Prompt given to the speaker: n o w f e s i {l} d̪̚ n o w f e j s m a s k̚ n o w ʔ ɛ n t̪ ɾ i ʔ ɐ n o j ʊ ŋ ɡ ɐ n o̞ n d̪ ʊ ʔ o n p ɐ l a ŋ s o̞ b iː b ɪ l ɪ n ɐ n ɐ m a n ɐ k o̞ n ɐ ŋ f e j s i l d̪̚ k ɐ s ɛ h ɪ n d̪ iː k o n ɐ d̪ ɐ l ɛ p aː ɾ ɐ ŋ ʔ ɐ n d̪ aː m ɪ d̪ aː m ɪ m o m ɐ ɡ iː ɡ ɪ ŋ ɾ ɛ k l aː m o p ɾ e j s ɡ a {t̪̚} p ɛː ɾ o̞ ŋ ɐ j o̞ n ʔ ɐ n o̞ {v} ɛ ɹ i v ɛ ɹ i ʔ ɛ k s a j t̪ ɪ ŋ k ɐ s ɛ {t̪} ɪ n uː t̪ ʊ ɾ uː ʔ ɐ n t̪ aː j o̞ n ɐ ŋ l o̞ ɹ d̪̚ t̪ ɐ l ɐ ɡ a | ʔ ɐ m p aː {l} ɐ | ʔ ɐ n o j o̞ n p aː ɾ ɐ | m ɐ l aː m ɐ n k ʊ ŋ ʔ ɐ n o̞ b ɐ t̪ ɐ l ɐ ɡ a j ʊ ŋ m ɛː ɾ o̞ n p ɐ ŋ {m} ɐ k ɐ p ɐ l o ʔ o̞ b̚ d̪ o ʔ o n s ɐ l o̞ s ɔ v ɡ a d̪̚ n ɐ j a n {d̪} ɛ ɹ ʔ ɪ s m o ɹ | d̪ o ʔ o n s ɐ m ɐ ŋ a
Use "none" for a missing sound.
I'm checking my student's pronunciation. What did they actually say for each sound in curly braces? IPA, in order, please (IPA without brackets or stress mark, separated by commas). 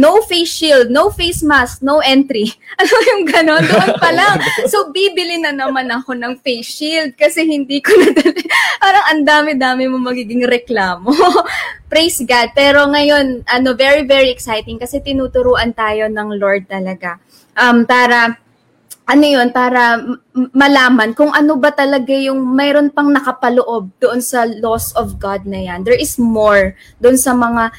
l, d̪̚, v, t̪, ɾ, n, d̪